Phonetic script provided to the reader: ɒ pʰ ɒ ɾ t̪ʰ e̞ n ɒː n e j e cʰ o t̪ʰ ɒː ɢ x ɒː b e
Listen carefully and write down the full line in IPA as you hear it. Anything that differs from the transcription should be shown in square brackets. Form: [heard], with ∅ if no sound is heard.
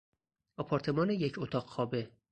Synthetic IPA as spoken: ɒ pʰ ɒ ɾ t̪ʰ e̞ [m] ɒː n e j e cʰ o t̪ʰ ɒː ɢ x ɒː b e